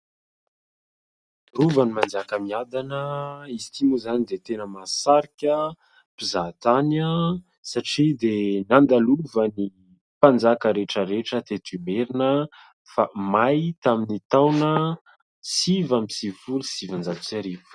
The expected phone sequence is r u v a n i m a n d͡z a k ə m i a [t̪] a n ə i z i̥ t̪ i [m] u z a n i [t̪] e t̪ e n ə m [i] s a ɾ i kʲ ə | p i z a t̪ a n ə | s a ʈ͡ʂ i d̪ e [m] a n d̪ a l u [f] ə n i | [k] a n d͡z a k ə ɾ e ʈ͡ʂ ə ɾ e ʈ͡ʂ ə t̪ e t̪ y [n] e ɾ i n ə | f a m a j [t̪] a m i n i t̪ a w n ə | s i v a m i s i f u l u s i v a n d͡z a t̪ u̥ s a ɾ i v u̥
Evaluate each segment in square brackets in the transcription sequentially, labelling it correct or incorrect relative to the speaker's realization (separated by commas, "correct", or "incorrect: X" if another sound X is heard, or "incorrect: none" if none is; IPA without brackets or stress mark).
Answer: incorrect: d̪, correct, incorrect: d̪, incorrect: a, incorrect: n, incorrect: v, incorrect: p, incorrect: m, correct